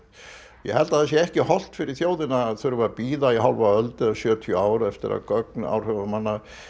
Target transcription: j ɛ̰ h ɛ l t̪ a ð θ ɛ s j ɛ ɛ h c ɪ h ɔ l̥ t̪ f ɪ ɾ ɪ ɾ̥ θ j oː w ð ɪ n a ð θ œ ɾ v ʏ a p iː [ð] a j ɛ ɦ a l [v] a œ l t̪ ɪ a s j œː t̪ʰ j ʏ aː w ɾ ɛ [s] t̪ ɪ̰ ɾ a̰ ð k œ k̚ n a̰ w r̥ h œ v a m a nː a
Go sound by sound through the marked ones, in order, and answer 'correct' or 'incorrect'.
correct, correct, incorrect: f

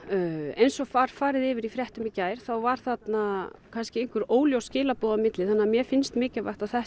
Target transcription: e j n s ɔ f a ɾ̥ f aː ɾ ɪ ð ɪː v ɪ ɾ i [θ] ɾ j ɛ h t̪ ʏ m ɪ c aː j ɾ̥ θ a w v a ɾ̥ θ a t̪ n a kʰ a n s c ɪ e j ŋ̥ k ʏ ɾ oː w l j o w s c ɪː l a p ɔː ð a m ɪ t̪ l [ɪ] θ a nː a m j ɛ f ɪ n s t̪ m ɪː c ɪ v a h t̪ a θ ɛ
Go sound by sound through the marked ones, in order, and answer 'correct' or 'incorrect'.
incorrect: f, correct

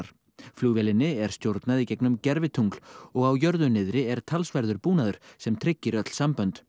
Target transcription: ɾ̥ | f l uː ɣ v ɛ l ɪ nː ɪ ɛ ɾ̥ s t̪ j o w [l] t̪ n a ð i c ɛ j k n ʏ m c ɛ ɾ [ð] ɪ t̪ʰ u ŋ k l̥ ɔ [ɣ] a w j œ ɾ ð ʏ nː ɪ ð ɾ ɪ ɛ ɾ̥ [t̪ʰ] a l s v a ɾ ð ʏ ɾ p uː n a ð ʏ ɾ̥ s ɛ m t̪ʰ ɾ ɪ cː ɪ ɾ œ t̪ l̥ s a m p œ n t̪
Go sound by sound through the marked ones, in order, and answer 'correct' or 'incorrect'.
incorrect: ɾ, incorrect: v, correct, correct

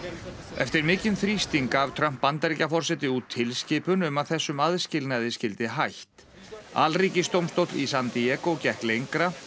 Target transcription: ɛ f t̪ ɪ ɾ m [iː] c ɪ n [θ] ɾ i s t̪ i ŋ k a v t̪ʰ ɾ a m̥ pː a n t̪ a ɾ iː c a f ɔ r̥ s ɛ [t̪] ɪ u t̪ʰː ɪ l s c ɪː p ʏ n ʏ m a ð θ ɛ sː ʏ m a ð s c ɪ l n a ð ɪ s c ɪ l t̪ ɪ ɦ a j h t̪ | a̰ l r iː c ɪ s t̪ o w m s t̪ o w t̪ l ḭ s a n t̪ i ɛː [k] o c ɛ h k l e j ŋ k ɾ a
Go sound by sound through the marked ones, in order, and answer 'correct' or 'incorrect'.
incorrect: ɪː, correct, correct, correct

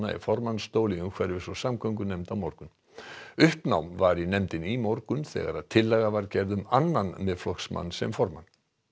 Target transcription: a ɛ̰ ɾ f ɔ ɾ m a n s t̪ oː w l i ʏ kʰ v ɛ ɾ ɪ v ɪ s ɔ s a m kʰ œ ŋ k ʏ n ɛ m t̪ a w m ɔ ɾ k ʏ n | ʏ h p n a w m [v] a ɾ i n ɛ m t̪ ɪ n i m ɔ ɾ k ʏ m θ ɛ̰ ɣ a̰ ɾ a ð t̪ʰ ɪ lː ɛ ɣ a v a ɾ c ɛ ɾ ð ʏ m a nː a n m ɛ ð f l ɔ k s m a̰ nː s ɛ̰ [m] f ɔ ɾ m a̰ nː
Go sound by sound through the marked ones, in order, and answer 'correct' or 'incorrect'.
correct, correct

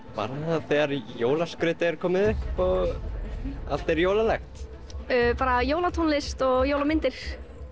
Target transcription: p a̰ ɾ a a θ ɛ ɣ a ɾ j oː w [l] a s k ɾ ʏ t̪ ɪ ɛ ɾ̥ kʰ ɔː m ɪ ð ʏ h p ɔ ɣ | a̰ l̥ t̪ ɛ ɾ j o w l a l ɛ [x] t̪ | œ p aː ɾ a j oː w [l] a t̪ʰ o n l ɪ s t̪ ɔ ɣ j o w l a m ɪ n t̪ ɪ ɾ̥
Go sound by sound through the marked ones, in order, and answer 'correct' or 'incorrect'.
correct, correct, correct

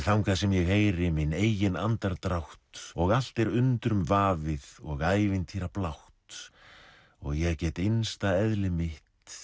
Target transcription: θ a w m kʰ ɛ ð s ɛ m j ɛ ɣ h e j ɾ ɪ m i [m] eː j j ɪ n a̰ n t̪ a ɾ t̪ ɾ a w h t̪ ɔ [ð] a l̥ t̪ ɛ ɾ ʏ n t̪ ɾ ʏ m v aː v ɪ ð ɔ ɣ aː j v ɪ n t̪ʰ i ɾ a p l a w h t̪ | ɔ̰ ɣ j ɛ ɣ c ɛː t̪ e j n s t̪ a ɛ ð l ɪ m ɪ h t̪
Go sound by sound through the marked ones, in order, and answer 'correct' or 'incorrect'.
incorrect: n, incorrect: ɣ

